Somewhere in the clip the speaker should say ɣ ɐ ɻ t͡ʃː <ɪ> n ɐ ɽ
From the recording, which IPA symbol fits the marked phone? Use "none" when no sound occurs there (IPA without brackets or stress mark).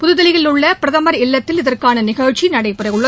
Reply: i